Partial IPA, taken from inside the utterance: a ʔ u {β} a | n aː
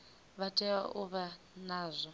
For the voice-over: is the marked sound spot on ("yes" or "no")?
yes